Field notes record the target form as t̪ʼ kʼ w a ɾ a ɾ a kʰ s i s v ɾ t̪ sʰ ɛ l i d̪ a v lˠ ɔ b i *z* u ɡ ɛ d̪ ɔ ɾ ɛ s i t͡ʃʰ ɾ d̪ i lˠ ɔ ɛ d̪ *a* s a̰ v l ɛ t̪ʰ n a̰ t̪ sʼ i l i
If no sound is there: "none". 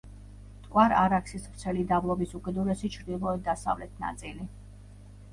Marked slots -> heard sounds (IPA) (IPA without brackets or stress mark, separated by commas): s, a